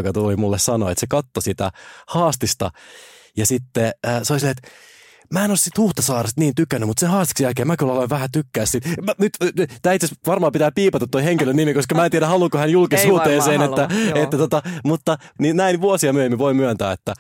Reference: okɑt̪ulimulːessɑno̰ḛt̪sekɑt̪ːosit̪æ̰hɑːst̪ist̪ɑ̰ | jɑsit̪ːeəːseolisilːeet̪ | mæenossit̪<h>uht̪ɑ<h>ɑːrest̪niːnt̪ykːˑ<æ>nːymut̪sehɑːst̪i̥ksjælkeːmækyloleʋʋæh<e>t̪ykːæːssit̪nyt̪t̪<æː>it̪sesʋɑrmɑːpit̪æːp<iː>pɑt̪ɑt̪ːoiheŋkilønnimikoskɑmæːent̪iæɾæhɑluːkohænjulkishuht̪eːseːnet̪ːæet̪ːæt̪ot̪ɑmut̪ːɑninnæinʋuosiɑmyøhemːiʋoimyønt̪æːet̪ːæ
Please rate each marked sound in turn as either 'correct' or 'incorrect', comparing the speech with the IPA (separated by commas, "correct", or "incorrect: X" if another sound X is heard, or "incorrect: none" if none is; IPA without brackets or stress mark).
correct, incorrect: s, correct, incorrect: æ, correct, correct